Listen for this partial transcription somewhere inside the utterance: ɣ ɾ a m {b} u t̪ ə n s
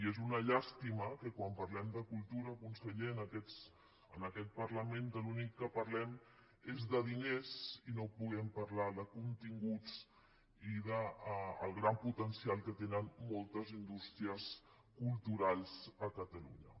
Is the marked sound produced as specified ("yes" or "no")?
no